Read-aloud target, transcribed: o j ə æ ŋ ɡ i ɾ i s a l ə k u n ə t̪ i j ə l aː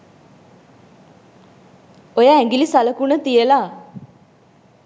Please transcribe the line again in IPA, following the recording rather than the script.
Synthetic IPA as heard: o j a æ ŋ ɡ i l i s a l ə k u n ə t̪ i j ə l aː